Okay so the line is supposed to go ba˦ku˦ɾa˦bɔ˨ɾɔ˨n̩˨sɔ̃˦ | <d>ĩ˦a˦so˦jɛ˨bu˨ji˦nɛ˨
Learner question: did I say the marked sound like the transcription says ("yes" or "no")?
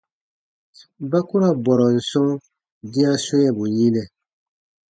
yes